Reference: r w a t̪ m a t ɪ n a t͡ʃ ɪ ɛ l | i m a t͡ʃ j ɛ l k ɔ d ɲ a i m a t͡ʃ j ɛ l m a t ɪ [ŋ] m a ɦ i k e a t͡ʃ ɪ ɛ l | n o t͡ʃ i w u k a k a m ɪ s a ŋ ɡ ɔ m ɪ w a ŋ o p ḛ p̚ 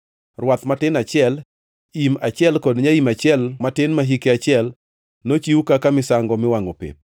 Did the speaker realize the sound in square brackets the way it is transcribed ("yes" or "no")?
no